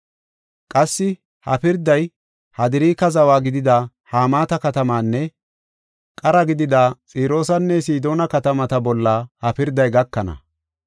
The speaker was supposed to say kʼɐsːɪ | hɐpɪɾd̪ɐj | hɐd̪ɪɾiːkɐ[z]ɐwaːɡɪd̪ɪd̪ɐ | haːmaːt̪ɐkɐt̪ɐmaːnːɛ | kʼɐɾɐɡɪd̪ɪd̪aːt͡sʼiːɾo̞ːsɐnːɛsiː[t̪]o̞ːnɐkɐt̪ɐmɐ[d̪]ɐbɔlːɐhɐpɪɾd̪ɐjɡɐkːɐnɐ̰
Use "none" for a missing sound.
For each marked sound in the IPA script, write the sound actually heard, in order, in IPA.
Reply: z, d̪, t̪

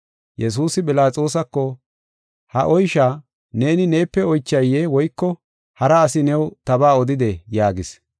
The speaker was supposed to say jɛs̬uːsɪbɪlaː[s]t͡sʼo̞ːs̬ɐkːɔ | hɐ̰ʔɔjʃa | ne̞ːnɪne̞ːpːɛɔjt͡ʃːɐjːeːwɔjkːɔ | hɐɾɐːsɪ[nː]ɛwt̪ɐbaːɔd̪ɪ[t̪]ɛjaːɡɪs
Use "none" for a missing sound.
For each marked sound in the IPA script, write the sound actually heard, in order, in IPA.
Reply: none, n, d̪

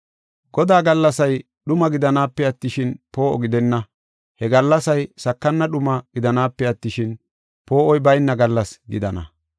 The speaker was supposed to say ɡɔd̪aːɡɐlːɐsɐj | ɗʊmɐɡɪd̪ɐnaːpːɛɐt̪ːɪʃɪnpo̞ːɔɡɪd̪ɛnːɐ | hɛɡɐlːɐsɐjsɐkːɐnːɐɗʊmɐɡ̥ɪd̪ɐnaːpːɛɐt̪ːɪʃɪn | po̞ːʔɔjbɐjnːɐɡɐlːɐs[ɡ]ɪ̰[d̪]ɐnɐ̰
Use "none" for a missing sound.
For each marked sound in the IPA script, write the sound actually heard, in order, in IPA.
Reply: ɡ, d̪

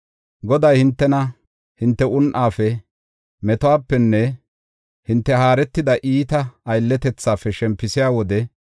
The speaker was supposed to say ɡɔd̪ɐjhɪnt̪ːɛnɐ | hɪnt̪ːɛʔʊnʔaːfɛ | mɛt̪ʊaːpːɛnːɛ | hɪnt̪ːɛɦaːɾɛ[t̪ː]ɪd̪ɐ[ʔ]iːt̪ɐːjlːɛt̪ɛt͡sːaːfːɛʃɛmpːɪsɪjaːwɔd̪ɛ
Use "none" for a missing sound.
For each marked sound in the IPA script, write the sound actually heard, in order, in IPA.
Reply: t̪ː, ʔ

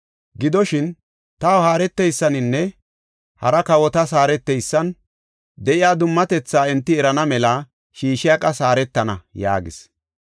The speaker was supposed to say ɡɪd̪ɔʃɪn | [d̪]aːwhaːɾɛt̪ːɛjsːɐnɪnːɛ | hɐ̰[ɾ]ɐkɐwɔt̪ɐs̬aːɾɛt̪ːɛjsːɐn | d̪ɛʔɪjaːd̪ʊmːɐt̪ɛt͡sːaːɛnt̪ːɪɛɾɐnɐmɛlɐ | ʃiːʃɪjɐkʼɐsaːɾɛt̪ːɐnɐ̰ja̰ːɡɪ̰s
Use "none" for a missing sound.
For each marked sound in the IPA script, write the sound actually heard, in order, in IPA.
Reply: t̪, ɾ

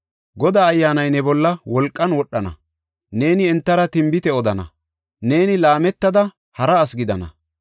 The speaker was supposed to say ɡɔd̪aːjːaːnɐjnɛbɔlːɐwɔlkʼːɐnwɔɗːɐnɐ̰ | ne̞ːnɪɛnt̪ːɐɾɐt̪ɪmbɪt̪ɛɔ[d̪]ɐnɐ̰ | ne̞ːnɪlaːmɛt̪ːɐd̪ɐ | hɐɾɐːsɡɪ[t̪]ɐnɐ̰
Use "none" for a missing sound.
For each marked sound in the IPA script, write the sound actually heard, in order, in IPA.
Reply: d̪, d̪

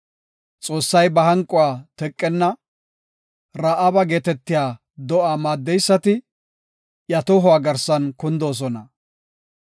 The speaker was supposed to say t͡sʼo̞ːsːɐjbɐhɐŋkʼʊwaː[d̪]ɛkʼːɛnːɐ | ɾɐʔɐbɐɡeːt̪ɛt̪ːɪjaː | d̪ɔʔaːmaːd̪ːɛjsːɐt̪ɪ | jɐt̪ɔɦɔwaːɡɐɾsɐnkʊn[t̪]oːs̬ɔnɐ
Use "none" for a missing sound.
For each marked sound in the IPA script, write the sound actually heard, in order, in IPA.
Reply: t̪, d̪

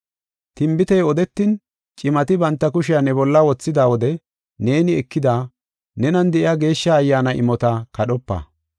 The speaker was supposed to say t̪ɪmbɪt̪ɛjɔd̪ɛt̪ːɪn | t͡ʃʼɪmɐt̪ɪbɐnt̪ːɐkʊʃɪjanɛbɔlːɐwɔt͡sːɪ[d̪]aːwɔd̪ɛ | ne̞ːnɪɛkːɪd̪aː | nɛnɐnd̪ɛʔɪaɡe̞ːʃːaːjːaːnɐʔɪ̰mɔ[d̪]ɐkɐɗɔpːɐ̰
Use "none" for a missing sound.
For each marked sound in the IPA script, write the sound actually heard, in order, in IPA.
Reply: d̪, t̪

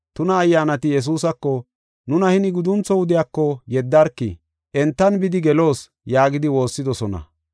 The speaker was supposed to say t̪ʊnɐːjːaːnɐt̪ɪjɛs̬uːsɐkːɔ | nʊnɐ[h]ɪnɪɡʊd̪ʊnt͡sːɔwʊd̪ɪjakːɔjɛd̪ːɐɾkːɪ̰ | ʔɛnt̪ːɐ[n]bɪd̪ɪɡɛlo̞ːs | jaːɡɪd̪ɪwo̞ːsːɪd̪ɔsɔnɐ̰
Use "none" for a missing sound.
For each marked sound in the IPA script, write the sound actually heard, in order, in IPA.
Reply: h, n

